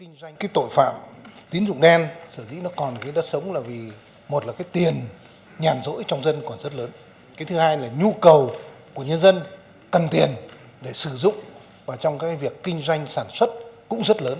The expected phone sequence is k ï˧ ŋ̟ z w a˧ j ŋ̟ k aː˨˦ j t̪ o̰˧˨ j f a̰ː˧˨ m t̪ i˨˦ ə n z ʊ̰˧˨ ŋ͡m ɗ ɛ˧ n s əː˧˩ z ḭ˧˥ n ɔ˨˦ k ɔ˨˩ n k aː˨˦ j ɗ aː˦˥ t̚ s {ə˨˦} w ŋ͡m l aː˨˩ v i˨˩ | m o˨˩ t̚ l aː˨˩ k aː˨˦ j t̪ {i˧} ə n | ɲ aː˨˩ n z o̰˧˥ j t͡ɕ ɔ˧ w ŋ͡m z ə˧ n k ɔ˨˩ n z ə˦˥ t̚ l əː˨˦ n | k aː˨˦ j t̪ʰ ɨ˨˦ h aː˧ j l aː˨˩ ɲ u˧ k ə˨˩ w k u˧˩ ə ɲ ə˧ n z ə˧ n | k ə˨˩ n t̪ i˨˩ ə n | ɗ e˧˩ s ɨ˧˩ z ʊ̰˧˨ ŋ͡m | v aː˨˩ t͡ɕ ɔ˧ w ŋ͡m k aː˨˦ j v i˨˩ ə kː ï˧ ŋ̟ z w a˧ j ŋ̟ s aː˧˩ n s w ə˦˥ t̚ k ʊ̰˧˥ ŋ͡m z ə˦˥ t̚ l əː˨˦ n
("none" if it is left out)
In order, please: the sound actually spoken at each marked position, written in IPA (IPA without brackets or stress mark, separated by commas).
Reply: ə˨˦, i˨˩